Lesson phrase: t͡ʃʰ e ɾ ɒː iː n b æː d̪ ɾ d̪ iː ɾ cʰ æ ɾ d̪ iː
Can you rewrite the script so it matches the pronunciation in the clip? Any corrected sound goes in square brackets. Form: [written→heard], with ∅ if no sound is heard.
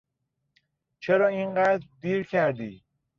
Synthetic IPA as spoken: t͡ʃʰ e ɾ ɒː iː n [b→ɢ] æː d̪ ɾ d̪ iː ɾ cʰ æ ɾ d̪ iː